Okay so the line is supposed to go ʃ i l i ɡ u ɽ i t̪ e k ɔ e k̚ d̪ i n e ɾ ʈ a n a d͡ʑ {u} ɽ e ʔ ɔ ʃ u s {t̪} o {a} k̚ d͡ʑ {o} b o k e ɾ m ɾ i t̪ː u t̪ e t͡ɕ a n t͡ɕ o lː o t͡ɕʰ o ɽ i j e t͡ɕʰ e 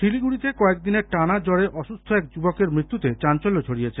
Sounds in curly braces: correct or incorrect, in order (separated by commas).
incorrect, incorrect, incorrect, incorrect